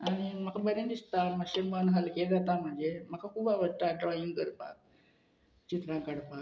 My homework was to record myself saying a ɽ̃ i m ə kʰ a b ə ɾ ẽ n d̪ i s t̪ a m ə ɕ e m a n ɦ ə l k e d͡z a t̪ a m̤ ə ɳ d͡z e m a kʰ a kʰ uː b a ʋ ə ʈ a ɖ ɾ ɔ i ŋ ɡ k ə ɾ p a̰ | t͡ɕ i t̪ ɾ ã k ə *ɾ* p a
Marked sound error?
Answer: yes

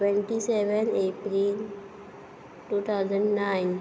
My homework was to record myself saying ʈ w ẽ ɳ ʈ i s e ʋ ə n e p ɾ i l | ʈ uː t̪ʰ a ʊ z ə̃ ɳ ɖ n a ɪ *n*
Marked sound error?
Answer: no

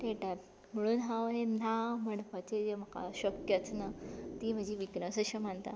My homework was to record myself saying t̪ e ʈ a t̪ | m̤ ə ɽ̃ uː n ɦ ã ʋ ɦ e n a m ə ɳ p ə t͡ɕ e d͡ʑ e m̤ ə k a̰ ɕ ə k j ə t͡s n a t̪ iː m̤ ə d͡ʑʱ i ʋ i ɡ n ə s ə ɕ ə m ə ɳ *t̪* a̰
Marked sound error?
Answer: no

